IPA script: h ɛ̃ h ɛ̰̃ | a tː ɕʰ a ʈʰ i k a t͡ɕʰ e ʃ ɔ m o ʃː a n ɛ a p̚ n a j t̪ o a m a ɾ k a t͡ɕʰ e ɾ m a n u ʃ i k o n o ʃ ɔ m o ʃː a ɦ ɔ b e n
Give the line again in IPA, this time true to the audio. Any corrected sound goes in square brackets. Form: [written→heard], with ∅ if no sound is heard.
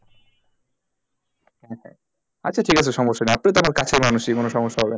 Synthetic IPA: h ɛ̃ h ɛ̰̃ | a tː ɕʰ a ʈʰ i k a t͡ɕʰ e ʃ ɔ m o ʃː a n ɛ a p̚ n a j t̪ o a m a ɾ k a t͡ɕʰ e ɾ m a n u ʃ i k o n o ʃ ɔ m o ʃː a ɦ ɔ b e n